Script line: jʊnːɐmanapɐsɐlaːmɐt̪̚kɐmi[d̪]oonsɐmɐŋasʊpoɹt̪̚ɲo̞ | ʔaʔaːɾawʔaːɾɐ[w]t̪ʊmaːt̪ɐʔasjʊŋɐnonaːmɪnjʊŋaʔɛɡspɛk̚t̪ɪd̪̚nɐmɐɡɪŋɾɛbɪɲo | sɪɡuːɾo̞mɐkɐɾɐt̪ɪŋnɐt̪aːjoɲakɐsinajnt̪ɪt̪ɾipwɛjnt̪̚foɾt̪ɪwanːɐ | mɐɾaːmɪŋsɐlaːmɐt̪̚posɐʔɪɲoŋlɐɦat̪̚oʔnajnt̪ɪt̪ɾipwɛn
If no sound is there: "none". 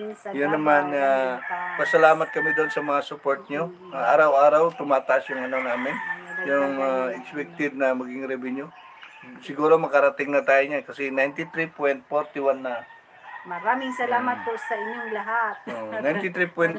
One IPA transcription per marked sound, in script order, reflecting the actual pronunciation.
d̪, w

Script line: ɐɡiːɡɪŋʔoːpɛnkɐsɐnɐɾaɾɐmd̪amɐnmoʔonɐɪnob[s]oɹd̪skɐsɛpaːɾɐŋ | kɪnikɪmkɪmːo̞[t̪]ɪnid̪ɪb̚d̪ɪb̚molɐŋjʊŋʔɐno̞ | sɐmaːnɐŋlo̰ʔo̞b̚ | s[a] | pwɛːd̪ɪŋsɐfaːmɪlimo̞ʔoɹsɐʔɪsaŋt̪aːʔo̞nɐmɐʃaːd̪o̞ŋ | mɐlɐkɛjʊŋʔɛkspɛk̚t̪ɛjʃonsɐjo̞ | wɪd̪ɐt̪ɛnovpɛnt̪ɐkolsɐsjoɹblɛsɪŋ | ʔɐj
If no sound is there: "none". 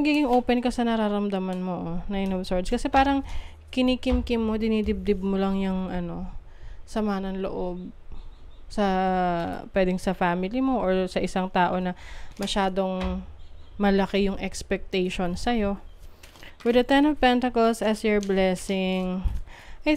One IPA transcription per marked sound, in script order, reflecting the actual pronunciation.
s, d̪, ɐ

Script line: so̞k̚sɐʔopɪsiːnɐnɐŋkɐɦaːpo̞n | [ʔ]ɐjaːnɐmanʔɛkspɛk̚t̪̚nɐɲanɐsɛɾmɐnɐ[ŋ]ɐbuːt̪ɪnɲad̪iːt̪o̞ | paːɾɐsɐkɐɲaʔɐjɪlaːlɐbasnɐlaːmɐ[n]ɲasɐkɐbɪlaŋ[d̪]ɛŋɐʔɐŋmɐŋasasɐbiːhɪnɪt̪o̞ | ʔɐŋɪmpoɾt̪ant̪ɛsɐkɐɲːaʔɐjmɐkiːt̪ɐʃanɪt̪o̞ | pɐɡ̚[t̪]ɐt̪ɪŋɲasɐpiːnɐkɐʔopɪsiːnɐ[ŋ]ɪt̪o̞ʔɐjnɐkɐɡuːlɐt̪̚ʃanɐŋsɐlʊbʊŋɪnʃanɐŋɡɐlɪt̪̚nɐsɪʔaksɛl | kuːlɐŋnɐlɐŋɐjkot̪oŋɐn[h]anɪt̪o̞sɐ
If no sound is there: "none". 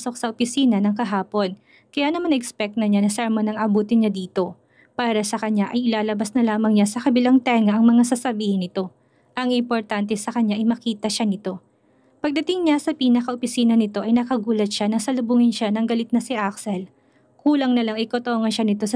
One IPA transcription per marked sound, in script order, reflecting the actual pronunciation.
k, ŋ, ŋ, t̪, d̪, n, ʃ

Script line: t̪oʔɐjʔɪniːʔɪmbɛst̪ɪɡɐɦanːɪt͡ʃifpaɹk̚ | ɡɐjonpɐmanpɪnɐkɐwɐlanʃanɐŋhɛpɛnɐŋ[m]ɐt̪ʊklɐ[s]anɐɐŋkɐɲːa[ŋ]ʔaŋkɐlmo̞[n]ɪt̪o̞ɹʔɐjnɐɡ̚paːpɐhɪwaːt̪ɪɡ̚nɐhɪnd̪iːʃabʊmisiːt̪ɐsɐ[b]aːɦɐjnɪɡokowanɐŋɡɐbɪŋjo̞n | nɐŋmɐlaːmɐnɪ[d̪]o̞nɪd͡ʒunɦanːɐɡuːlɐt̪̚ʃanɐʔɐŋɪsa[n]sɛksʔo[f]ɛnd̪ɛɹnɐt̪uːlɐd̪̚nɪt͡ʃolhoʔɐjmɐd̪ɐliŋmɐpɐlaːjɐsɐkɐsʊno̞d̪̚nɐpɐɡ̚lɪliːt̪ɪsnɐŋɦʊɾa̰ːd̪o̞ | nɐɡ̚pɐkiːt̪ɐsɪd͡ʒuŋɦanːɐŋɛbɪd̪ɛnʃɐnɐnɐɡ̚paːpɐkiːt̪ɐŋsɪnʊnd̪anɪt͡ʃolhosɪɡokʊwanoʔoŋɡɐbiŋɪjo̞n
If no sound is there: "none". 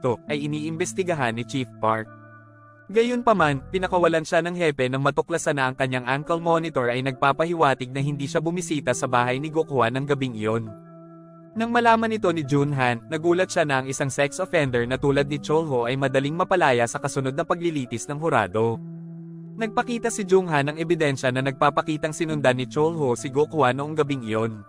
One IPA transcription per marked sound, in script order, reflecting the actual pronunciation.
m, s, ŋ, n, b, t̪, ŋ, f

